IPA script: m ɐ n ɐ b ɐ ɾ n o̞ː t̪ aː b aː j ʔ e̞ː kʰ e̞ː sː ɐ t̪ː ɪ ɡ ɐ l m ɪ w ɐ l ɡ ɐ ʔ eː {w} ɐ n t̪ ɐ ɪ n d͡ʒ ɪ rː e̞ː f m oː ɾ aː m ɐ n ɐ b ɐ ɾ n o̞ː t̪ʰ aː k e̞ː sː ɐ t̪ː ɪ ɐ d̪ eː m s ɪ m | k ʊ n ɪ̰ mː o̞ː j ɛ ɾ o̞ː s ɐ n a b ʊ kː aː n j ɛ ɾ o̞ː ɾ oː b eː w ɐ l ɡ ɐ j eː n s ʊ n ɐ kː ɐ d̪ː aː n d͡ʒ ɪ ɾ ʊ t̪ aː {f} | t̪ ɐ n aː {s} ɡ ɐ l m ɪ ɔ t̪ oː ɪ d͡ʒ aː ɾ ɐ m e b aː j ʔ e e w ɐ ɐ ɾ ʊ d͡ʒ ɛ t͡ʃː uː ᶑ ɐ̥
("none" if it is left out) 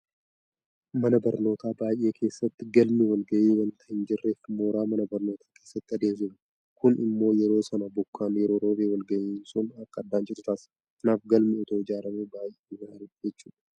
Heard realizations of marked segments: w, s, f

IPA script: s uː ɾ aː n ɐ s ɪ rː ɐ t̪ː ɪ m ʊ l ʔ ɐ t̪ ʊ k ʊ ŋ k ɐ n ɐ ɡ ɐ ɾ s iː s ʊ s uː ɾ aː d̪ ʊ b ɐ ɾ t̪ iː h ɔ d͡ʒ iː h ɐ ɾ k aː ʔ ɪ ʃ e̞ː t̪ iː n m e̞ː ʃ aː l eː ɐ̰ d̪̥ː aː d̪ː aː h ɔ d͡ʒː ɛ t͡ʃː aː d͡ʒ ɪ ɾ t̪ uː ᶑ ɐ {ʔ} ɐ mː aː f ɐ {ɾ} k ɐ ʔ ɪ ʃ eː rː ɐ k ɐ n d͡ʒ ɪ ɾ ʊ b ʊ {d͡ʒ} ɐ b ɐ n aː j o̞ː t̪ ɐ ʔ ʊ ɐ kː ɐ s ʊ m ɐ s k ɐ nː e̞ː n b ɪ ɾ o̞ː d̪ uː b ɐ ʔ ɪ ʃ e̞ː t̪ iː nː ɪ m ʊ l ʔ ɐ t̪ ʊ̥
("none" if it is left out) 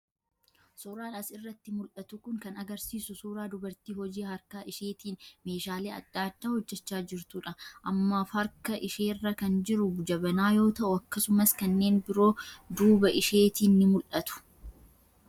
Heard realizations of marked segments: ʔ, ɾ, d͡ʒ

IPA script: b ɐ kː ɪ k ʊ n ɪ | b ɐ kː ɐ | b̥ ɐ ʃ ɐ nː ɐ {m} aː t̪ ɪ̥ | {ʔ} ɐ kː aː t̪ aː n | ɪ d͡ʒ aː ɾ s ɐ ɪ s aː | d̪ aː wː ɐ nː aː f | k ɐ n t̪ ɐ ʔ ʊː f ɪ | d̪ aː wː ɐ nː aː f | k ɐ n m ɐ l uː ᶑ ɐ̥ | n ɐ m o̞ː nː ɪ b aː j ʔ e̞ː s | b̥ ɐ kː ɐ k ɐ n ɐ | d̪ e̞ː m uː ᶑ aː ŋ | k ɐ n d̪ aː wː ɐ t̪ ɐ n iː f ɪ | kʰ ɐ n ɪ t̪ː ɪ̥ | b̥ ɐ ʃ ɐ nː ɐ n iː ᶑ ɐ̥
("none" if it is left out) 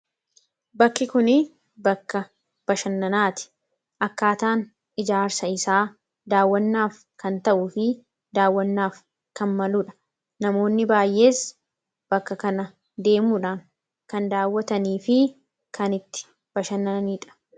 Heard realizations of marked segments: n, ʔ

